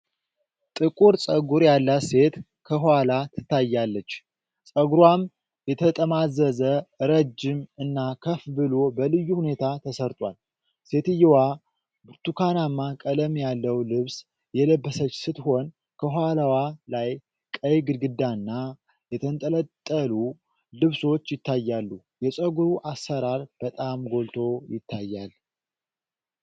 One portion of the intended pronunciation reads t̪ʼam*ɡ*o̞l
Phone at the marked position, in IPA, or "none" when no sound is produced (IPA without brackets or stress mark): ɡ